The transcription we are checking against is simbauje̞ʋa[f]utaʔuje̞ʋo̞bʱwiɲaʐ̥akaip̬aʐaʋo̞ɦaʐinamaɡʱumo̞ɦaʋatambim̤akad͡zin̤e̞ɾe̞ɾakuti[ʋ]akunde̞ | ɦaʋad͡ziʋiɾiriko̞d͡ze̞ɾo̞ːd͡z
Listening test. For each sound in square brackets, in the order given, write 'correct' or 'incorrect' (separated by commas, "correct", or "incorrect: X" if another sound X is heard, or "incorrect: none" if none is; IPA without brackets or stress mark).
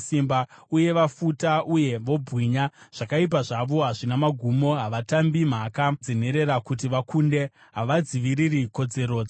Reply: correct, correct